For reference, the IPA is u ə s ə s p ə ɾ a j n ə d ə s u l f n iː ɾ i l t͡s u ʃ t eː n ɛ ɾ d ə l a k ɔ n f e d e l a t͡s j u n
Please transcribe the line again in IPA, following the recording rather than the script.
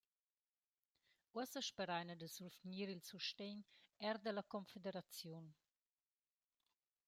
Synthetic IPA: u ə s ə ʃ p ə ɾ a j n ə d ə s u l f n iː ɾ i l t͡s u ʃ t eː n ɛ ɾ d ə l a k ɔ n f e d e ɾ a t͡s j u n